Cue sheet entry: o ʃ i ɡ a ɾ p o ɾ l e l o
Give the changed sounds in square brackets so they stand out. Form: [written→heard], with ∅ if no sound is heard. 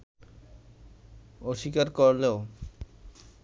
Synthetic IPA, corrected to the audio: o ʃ i [ɡ→k] a ɾ [p→k] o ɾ l e [l→∅] o